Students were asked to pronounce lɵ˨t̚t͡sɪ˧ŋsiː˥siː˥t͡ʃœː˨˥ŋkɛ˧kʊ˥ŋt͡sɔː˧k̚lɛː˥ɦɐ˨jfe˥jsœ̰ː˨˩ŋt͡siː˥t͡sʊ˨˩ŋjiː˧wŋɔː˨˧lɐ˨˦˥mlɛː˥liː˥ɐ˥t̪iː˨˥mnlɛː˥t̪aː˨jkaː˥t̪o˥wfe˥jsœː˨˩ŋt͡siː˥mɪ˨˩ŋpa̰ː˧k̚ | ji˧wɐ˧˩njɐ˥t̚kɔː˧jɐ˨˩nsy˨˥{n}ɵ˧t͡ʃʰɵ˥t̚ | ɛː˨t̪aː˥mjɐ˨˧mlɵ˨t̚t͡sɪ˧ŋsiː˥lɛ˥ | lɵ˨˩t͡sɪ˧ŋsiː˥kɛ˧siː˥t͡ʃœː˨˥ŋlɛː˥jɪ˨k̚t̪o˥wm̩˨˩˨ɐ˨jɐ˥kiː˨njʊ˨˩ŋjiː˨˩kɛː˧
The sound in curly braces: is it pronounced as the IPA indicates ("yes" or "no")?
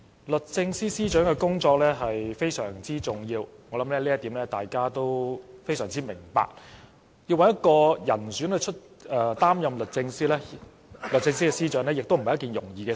yes